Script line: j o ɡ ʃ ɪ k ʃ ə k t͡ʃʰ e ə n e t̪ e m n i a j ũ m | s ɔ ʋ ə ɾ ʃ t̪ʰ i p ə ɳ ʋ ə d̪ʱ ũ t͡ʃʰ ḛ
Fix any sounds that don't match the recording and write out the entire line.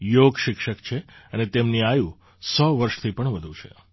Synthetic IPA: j o ɡ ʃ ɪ k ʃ ə k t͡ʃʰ e ə n e t̪ e m n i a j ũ | s ɔ ʋ ə ɾ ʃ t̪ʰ i p ə ɳ ʋ ə d̪ʱ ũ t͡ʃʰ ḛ